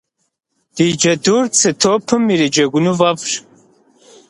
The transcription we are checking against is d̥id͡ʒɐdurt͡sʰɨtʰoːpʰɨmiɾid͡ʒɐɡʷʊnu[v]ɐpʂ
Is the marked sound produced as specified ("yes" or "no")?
yes